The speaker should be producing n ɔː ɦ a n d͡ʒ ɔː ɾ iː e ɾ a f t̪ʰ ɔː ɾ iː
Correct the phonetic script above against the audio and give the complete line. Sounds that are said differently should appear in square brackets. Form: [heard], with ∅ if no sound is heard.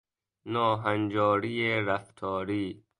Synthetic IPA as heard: n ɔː ɦ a n d͡ʒ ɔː ɾ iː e ɾ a f t̪ʰ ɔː ɾ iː